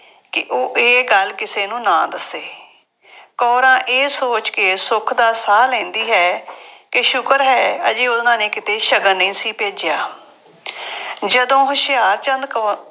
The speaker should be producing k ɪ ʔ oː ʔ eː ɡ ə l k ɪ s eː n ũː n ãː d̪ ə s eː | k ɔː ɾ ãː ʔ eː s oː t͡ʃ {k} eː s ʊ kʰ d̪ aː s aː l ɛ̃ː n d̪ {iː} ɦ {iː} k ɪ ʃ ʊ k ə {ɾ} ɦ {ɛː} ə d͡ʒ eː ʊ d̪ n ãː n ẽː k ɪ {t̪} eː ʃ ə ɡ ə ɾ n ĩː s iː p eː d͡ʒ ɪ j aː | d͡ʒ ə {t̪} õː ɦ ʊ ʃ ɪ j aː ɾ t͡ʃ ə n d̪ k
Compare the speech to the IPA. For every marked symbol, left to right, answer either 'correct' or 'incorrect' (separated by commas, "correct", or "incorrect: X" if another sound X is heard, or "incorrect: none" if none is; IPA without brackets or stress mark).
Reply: correct, correct, incorrect: ɛː, correct, correct, correct, incorrect: d̪